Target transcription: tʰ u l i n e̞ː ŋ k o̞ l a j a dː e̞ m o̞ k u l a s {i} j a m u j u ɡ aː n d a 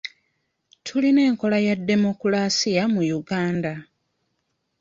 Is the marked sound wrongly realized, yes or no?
no